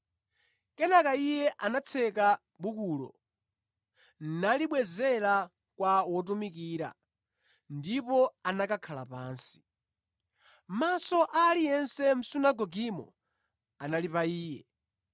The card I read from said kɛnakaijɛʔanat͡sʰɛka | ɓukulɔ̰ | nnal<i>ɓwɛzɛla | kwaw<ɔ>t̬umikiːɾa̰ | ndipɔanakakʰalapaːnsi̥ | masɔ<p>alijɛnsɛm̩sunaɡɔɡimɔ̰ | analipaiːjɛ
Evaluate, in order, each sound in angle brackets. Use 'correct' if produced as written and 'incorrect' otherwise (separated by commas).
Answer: correct, correct, incorrect